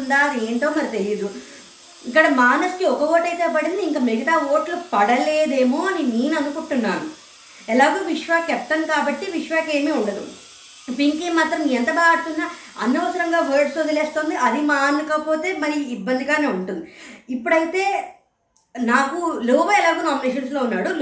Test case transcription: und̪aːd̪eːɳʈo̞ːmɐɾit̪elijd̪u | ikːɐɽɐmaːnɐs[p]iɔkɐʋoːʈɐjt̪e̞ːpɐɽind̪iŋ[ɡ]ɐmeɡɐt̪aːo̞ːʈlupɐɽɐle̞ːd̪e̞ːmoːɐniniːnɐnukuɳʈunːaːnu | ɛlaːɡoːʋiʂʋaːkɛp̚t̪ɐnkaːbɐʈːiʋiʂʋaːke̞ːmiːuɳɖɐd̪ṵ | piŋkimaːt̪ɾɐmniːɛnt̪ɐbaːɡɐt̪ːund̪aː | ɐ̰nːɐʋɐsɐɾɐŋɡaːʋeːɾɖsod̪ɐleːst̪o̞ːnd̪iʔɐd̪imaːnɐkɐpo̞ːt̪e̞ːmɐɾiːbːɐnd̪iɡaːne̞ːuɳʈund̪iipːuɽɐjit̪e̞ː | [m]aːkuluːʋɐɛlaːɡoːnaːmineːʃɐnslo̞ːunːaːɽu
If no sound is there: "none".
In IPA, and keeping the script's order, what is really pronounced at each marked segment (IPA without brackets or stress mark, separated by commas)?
k, k, n